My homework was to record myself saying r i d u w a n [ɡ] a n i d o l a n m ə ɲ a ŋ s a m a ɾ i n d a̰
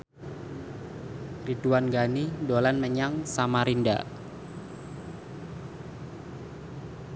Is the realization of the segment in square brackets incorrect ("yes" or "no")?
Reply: no